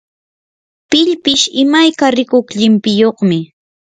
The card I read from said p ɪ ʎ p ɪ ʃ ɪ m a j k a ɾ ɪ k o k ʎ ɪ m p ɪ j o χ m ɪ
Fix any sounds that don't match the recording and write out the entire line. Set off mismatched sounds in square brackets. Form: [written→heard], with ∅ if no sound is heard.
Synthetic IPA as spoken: p ɪ ʎ p ɪ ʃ ɪ m a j k a ɾ ɪ k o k ʎ ɪ m p ɪ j o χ m ɪ